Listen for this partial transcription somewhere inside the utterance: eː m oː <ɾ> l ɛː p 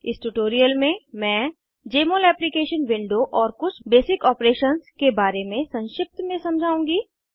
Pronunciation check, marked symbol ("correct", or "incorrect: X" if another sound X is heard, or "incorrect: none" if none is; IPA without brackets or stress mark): incorrect: none